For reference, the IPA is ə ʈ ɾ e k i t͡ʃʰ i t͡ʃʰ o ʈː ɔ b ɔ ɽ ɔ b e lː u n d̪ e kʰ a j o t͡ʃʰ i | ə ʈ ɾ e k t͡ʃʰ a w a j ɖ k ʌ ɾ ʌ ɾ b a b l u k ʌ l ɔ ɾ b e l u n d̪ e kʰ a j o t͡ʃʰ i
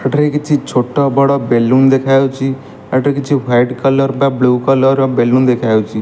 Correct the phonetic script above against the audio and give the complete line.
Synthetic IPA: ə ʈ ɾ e k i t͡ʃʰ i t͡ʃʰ o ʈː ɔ b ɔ ɽ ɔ b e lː u n d̪ e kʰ a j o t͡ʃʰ i | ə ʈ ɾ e k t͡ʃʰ i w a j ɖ k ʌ l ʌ ɾ b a b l u k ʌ l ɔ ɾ b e l u n d̪ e kʰ a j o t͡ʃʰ i